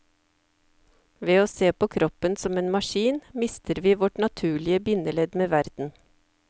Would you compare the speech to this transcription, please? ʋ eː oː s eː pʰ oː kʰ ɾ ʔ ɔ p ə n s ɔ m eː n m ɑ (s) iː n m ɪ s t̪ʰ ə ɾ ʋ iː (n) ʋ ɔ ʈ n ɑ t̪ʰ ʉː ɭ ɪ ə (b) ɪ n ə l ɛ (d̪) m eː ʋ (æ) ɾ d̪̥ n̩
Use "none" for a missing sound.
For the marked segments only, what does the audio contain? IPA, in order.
ʃ, none, b, d̪, æ

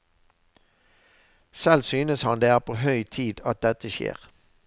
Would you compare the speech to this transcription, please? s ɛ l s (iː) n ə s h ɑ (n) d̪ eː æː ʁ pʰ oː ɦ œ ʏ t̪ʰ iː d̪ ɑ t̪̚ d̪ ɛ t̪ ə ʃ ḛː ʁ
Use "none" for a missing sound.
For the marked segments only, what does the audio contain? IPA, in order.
yː, n

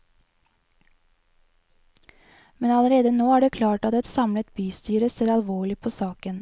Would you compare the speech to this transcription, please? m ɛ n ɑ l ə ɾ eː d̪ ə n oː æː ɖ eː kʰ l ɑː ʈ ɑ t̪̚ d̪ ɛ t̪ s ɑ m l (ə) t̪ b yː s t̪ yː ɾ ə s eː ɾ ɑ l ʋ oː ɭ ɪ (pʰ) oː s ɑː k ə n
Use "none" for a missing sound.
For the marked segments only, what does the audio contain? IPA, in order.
ə, pʰ

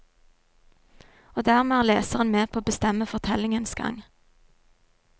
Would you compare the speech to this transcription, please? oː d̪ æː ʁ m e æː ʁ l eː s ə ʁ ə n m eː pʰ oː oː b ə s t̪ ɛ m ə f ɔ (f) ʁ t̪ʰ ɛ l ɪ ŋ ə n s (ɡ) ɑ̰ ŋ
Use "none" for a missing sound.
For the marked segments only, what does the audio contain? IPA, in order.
none, ɡ

